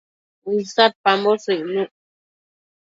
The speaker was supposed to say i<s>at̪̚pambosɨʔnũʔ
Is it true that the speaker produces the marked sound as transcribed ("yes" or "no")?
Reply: yes